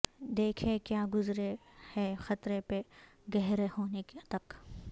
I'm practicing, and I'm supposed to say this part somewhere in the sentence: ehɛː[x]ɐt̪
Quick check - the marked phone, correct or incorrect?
correct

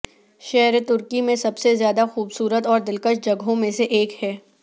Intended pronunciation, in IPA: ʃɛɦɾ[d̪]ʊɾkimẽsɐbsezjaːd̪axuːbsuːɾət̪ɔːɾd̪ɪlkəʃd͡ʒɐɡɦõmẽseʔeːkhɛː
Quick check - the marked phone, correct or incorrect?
incorrect: t̪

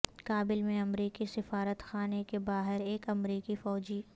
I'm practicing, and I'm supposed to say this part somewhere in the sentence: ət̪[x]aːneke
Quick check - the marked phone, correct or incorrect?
correct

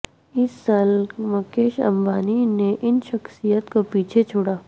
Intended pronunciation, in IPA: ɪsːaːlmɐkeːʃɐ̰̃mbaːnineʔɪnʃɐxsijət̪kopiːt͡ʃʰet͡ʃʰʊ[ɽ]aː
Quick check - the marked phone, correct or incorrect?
correct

